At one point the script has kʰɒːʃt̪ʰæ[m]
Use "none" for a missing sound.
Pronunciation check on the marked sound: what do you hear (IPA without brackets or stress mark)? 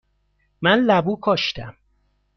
m